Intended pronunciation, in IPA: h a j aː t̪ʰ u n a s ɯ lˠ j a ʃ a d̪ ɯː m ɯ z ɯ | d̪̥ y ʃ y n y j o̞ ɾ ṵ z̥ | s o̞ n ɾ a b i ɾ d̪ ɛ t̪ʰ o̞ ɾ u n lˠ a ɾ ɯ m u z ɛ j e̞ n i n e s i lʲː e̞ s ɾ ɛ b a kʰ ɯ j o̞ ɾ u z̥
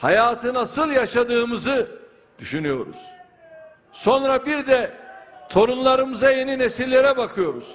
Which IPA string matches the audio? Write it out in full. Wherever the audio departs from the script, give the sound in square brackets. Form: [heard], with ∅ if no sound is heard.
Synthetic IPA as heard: h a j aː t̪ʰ [ɯ] n a s ɯ lˠ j a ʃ a d̪ ɯː m ɯ z ɯ | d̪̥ y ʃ y n y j o̞ ɾ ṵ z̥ | s o̞ n ɾ a b i ɾ d̪ ɛ t̪ʰ o̞ ɾ u n lˠ a ɾ ɯ m [ɯ] z [a] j e̞ n i n e s i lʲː e̞ [∅] ɾ ɛ b a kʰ ɯ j o̞ ɾ u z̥